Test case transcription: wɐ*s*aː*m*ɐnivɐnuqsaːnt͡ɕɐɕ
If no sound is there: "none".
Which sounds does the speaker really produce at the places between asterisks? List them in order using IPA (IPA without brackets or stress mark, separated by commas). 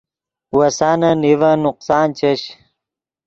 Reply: s, n